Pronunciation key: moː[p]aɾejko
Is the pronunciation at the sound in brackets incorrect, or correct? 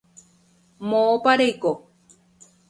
correct